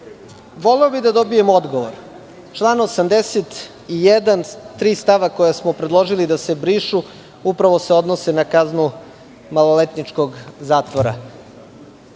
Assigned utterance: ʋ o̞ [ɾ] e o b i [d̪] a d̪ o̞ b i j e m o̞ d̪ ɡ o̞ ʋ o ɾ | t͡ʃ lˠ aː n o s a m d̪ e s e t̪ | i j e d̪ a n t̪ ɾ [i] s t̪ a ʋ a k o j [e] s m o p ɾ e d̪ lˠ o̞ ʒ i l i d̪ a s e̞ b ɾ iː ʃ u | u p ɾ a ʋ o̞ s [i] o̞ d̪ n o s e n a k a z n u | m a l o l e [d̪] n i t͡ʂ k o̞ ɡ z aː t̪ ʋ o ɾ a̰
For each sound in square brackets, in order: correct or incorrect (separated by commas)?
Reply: incorrect, correct, incorrect, incorrect, incorrect, incorrect